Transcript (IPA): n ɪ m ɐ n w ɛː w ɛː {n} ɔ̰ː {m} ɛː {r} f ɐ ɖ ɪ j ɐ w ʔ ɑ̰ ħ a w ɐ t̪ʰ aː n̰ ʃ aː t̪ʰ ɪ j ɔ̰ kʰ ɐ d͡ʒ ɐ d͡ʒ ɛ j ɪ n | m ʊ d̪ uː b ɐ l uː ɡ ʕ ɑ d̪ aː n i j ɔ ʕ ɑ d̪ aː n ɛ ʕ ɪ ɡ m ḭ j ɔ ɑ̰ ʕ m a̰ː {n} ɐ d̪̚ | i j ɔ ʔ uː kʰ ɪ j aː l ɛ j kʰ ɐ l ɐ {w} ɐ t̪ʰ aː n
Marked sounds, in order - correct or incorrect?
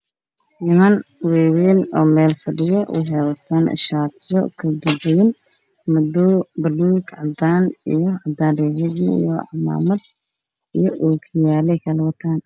correct, correct, incorrect, incorrect, correct

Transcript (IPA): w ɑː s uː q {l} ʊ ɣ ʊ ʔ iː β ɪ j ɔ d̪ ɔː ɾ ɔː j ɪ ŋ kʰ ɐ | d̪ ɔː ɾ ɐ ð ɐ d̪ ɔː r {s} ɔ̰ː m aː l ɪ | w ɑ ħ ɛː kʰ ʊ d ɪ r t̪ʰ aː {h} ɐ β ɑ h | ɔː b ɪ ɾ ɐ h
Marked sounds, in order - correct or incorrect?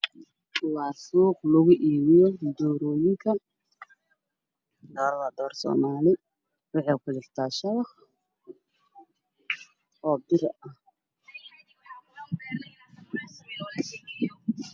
correct, correct, incorrect

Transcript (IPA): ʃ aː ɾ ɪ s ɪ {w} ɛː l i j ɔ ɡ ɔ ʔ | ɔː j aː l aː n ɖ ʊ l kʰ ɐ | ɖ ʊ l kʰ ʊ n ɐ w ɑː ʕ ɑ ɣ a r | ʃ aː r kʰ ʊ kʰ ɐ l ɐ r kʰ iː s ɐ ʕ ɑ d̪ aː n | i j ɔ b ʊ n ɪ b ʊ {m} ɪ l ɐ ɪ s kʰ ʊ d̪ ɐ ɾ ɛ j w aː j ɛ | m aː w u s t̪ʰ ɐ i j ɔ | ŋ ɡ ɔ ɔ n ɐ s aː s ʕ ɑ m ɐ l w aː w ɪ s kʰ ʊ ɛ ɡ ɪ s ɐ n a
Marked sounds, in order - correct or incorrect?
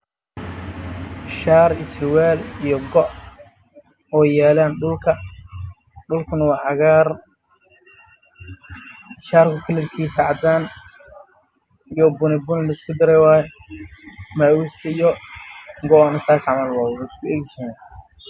correct, incorrect

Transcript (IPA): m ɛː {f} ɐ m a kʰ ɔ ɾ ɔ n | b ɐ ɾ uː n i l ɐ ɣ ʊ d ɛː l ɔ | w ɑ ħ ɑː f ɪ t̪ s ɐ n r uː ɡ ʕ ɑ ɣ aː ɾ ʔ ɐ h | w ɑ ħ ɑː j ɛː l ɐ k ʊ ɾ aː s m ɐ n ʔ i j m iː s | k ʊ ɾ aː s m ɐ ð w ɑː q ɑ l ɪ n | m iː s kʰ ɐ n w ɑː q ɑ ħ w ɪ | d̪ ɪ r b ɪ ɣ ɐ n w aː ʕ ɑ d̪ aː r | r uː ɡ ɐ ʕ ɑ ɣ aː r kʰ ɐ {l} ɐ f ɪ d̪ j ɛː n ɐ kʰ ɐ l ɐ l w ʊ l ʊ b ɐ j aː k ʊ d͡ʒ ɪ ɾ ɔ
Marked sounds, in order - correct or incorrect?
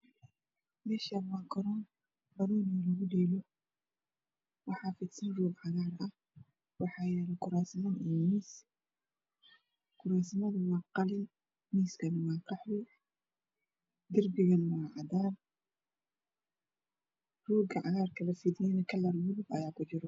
incorrect, correct

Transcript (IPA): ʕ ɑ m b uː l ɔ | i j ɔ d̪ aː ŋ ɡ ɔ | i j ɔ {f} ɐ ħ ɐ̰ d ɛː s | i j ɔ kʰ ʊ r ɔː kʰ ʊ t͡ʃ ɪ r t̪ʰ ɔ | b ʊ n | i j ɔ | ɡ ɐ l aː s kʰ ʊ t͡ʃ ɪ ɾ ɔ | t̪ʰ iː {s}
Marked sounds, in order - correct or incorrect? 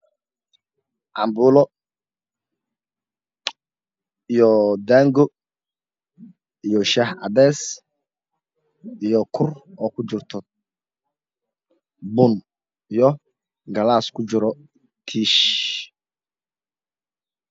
incorrect, incorrect

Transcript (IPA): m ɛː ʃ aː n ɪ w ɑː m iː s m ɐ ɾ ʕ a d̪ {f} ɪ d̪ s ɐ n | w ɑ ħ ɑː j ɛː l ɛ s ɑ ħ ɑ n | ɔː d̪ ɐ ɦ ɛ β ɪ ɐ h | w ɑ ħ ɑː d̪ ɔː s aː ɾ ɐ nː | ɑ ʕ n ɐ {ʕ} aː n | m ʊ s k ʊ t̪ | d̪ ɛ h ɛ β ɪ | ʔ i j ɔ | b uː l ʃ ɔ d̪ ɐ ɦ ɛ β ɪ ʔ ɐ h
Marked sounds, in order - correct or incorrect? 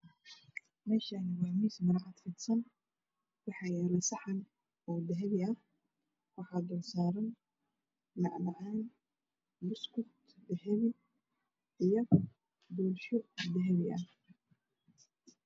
correct, correct

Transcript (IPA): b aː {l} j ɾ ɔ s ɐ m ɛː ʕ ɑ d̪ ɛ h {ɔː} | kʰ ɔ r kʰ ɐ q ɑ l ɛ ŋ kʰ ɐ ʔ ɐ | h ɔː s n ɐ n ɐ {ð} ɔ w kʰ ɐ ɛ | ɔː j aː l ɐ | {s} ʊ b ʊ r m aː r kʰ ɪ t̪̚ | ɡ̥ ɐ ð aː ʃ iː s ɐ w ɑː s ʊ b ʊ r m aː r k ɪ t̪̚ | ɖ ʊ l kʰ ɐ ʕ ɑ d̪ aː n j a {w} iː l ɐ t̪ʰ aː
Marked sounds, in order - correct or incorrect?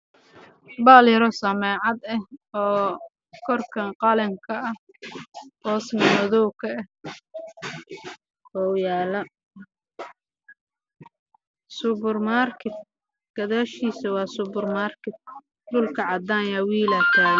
correct, correct, correct, correct, correct

